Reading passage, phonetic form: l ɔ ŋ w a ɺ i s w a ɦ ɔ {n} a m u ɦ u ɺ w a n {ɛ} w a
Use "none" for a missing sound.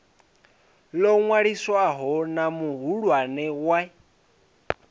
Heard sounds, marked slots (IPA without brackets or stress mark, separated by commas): n, ɛ